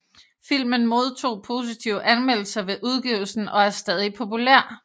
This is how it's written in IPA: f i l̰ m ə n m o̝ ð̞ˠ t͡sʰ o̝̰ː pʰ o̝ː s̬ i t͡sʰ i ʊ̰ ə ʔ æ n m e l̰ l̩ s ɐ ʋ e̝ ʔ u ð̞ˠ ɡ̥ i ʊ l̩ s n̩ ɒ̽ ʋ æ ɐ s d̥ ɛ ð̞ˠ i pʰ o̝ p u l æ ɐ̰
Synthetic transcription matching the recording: f i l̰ m ə n m o̝ ð̞ˠ t͡sʰ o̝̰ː pʰ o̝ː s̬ i t͡sʰ i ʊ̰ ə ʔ æ n m e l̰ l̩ s ɐ ʋ e̝ ʔ u ð̞ˠ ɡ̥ i ʊ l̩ s n̩ ɒ̽ æ ɐ s d̥ ɛ ð̞ˠ i pʰ o̝ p u l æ ɐ̰